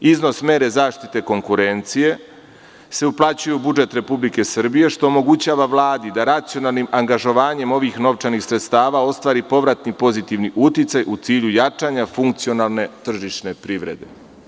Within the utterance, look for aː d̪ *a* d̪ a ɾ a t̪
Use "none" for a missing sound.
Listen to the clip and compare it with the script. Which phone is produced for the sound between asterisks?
i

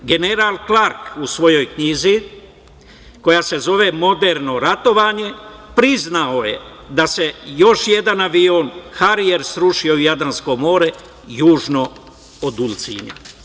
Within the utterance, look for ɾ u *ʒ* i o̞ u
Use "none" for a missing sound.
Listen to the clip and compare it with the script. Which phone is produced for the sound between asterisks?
ʃ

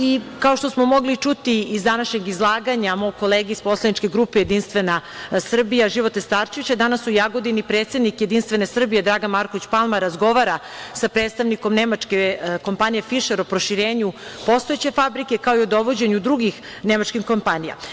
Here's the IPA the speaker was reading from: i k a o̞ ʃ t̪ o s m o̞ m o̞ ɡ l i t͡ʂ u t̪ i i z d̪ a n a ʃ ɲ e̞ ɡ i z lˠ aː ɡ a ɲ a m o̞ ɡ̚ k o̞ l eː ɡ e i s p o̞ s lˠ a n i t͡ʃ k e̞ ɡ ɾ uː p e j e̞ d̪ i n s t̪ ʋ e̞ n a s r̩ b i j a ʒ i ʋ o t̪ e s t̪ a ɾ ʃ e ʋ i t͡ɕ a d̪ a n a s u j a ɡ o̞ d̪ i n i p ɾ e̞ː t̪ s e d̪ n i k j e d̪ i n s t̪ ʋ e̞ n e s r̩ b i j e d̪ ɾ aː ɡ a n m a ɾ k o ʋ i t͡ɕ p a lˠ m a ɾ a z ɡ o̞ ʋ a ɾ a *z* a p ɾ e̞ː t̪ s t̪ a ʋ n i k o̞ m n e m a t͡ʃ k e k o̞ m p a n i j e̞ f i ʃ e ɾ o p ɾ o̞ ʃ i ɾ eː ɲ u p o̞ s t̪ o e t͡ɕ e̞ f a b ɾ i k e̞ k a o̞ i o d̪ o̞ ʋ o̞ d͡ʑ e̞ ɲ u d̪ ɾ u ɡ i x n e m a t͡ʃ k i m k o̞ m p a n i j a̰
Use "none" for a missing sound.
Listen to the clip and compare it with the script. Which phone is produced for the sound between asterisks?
s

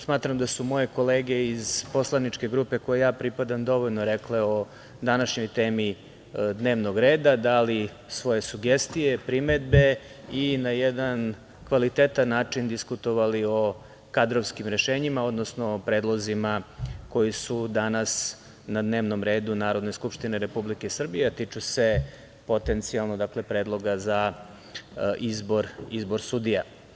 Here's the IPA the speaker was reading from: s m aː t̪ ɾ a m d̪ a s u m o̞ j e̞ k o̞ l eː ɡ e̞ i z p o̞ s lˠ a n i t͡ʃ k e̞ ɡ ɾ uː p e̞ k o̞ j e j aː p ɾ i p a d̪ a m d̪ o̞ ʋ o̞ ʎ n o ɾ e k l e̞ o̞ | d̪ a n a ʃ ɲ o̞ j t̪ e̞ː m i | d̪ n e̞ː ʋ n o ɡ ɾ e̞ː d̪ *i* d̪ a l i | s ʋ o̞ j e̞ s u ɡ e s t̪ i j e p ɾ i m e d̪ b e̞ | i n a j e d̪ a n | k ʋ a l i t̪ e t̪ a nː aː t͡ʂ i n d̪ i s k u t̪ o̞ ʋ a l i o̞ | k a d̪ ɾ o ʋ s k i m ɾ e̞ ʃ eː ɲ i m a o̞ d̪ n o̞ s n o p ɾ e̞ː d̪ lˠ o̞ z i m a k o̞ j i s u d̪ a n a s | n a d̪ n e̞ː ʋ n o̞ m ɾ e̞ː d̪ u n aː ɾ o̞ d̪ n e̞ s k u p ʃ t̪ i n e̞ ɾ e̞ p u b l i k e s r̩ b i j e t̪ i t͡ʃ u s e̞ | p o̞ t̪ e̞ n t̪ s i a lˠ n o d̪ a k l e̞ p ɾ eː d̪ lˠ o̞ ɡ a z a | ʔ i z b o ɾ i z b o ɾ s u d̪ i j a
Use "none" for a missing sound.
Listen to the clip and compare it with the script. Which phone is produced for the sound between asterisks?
a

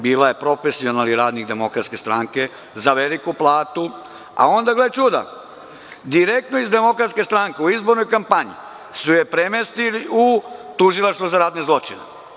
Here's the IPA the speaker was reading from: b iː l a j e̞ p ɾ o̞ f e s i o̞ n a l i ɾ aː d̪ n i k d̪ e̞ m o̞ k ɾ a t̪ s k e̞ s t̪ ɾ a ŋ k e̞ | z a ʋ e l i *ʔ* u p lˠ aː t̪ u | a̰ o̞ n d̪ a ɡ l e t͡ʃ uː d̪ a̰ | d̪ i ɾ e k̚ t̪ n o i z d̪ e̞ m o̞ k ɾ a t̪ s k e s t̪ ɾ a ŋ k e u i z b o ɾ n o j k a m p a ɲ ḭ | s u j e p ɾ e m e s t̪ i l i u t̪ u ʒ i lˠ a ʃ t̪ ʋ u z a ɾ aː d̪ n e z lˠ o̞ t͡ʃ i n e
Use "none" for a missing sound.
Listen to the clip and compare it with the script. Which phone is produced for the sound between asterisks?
k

